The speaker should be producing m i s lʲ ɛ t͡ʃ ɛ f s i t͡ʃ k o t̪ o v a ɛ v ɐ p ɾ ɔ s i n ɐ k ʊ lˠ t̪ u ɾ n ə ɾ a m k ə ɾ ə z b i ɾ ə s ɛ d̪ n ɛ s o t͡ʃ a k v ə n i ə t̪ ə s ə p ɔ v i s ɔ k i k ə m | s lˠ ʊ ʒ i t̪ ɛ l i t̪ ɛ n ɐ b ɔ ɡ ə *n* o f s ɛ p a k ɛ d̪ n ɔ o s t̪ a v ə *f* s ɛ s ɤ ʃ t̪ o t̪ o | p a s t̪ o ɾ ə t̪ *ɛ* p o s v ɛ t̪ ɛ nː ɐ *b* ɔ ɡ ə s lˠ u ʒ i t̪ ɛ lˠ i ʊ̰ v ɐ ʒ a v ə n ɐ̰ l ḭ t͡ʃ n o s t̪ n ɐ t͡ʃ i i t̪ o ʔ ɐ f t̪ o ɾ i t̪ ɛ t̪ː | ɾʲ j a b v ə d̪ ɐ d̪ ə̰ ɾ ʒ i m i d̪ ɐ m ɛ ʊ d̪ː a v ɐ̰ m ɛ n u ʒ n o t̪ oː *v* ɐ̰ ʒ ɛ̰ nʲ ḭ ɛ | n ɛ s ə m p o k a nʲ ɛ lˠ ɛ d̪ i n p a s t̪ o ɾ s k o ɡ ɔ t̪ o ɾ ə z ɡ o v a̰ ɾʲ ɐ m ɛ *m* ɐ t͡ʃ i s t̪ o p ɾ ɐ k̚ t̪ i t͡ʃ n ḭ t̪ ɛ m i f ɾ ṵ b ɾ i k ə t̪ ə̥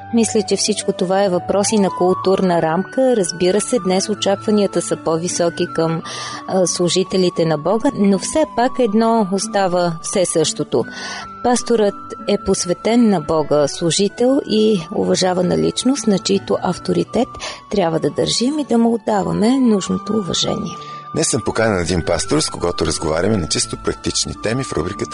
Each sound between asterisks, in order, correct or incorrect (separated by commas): correct, correct, correct, correct, correct, incorrect